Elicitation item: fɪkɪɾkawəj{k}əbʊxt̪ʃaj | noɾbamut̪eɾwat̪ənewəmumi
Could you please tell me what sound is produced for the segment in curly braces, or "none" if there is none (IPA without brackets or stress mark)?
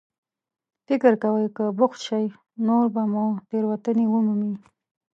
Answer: k